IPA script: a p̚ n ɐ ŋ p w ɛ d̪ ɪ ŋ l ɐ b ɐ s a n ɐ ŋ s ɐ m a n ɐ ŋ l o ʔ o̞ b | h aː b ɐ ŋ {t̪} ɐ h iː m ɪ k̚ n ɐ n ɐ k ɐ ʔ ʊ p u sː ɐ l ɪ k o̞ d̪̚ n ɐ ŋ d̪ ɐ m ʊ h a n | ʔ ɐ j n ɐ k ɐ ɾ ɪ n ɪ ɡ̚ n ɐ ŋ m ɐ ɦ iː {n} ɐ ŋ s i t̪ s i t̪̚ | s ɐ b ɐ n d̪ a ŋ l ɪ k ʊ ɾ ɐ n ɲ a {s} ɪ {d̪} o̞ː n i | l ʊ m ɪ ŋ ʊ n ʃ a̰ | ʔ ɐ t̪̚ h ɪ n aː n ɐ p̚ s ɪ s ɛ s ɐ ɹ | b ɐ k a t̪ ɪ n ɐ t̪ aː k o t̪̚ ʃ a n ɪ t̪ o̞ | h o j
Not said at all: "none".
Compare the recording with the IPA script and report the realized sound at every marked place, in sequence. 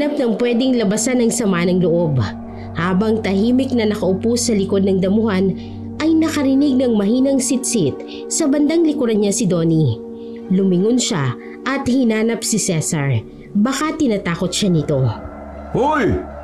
t̪, n, s, d̪

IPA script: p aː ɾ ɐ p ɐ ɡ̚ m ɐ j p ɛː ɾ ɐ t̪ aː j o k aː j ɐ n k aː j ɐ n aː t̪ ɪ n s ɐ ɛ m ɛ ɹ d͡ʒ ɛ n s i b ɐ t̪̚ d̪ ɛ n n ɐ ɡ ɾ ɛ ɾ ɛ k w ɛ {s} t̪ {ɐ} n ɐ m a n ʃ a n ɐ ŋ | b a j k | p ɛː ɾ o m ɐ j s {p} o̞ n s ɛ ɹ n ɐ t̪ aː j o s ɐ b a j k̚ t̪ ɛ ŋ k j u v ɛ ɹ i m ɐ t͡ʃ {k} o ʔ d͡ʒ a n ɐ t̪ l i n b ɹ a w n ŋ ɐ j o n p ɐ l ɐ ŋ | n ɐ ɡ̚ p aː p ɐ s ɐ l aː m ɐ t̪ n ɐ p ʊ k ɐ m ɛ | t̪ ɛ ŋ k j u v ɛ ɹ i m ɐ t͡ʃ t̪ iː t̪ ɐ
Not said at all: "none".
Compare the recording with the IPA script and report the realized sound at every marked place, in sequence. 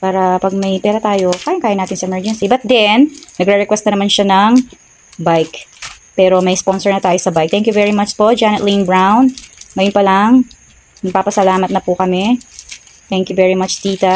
s, ɐ, p, p

